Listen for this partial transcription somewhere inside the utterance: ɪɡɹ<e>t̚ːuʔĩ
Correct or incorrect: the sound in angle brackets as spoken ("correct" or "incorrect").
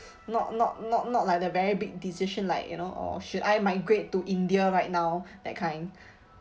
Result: correct